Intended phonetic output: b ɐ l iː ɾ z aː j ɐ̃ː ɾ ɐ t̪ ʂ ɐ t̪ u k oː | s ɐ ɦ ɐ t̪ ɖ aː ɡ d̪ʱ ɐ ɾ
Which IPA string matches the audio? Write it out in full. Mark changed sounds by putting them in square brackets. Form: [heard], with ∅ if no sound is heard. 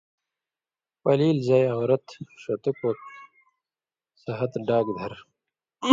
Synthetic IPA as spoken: [p] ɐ l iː [l] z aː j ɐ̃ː ɾ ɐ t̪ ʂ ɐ t̪ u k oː | s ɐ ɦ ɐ t̪ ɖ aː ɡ d̪ʱ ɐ ɾ